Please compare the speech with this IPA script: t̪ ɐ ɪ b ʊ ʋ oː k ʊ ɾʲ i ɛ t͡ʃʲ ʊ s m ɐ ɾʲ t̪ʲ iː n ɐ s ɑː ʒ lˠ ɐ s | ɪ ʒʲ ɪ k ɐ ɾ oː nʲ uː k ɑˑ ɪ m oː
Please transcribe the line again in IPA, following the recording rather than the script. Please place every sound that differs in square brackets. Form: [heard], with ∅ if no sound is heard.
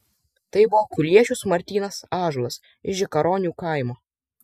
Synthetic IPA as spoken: t̪ ɐ ɪ b ʊ ʋ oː k ʊ [lʲ] i ɛ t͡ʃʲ ʊ s m ɐ ɾʲ t̪ʲ iː n ɐ s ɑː ʒ lˠ ɐ s | ɪ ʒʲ ɪ k ɐ ɾ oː nʲ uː k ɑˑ ɪ m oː